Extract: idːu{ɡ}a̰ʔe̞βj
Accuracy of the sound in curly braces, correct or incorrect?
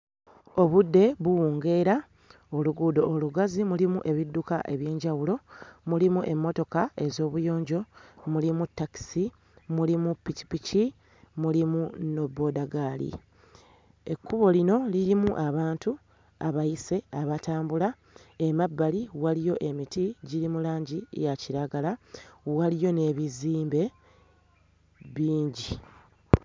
incorrect